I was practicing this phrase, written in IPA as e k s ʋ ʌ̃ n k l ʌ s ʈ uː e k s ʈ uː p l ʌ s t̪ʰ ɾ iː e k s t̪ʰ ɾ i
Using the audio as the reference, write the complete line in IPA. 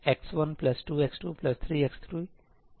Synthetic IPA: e k s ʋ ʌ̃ n p l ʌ s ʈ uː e k s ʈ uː p l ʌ s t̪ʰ ɾ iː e k s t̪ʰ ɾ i

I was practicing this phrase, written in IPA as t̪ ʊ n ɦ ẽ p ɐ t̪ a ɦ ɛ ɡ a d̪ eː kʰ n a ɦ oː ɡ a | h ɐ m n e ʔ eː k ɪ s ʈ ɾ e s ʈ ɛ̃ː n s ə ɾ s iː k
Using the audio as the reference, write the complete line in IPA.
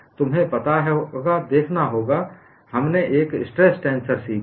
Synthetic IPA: t̪ ʊ m ɦ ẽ p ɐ t̪ a ɦ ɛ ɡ a d̪ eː kʰ n a ɦ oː ɡ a | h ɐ m n e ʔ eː k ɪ s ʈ ɾ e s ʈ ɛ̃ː n s ə ɾ s iː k

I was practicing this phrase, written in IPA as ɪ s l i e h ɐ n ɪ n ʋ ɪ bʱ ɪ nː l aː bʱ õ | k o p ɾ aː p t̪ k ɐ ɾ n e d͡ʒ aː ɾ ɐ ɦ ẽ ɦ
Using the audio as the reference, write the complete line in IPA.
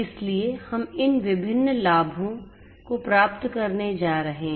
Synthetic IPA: ɪ s l i e h ɐ m ɪ n ʋ ɪ bʱ ɪ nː l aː bʱ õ | k o p ɾ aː p t̪ k ɐ ɾ n e d͡ʒ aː ɾ ɐ ɦ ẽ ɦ

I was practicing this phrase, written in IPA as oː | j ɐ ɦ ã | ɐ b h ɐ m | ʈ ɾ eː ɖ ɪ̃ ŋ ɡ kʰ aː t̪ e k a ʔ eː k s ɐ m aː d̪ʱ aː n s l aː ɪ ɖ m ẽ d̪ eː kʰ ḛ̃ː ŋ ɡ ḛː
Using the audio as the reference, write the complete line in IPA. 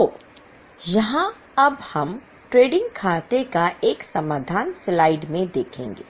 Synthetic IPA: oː | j ɐ ɦ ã | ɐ b h ɐ m | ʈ ɾ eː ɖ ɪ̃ ŋ ɡ kʰ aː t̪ e k a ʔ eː k s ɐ m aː d̪ʱ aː n s l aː ɪ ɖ m ẽ d̪ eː kʰ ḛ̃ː ŋ ɡ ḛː

